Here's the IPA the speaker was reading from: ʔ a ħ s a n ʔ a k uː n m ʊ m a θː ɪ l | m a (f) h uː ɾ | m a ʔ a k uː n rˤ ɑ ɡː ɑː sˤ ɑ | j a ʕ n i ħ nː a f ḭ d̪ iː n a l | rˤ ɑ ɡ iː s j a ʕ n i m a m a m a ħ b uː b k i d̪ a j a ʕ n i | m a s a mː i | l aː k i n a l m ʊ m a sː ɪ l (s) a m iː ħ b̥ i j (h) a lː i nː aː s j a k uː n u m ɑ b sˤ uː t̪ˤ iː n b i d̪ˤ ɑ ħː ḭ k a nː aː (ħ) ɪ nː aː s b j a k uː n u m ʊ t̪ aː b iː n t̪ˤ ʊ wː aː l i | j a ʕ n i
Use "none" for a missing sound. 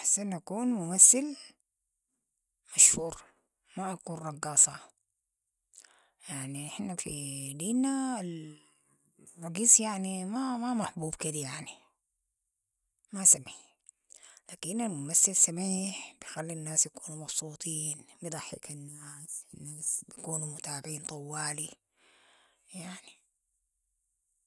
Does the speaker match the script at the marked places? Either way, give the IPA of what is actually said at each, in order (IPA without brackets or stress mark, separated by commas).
ʃ, s, x, s